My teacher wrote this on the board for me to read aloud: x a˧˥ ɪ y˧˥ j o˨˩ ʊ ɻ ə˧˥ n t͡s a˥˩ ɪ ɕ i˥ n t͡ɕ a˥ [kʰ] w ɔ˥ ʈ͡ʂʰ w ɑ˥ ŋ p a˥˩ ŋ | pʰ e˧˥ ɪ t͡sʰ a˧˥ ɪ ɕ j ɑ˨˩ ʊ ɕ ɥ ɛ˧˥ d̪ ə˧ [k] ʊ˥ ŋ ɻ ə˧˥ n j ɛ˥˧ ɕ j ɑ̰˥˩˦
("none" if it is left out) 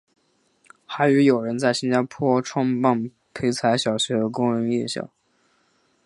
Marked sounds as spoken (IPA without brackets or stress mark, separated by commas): pʰ, k